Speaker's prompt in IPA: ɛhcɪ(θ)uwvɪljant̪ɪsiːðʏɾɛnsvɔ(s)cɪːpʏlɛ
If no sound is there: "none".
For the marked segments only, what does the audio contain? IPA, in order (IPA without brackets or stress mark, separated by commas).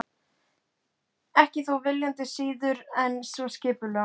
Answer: θ, s